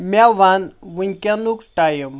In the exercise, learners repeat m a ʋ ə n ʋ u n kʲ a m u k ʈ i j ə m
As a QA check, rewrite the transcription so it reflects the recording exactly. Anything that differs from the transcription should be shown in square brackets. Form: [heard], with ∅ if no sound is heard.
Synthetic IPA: m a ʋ [a] n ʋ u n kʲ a [n] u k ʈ [a] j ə m